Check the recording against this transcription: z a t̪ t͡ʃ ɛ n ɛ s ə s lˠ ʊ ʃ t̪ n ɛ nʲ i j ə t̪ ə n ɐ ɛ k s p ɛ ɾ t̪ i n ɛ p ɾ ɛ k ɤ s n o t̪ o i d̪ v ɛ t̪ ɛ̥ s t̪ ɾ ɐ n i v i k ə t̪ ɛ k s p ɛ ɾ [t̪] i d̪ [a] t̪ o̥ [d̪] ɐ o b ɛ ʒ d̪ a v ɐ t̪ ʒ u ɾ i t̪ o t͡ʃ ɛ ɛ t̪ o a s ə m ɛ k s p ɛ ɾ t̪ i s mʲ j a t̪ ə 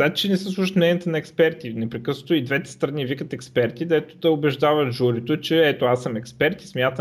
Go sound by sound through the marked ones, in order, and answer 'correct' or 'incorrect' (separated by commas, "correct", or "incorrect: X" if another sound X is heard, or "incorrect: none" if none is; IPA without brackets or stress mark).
correct, incorrect: ɛ, correct